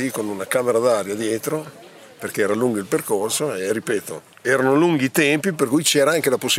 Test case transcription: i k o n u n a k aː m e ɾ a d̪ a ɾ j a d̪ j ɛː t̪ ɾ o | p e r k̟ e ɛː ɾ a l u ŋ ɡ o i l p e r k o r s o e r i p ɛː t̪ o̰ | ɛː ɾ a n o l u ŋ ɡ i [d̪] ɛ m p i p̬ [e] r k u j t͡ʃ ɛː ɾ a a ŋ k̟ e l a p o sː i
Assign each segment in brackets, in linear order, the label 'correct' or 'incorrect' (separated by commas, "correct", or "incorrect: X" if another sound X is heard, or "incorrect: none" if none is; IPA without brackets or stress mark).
incorrect: t̪, correct